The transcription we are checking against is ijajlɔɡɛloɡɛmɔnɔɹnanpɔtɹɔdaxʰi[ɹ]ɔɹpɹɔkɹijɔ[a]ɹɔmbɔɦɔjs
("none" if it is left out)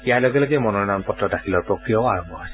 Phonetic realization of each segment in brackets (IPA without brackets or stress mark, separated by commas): l, a